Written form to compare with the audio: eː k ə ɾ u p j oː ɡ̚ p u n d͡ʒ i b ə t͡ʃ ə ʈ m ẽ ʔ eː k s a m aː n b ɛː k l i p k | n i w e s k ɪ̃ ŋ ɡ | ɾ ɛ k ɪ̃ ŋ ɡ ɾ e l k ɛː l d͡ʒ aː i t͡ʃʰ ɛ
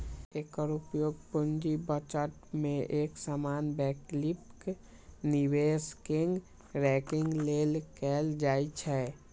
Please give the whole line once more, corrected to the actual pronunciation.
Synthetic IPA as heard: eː k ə ɾ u p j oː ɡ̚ p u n d͡ʒ i b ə t͡ʃ ə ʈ m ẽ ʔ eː k s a m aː n b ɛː k l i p k | n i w e s k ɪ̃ ŋ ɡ | ɾ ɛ k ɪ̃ ŋ ɡ l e l k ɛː l d͡ʒ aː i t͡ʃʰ ɛ